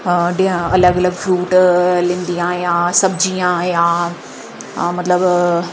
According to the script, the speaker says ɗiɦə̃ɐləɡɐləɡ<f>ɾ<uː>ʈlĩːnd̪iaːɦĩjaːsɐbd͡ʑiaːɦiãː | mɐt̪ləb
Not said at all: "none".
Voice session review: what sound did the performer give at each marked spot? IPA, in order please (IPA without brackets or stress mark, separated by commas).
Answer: f, uː